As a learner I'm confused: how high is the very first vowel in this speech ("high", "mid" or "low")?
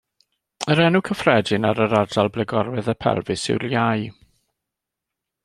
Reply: mid